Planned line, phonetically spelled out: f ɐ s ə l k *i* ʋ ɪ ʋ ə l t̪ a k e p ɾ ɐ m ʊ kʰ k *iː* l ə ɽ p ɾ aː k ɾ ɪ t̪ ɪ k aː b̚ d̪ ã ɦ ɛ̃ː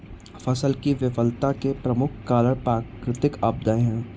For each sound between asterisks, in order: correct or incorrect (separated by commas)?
correct, incorrect